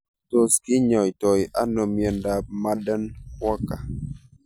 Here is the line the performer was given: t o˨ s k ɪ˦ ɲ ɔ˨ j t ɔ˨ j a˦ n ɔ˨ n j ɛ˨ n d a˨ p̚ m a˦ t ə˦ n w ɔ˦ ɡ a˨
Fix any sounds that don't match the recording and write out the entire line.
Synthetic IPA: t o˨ s k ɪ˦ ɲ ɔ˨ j t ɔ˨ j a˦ n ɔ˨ m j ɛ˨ n d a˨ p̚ m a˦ d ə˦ n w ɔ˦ k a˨